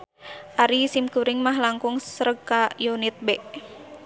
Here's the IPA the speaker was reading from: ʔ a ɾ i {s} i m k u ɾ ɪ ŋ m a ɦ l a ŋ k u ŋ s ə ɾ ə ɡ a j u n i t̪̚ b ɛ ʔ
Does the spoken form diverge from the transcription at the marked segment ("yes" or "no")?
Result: no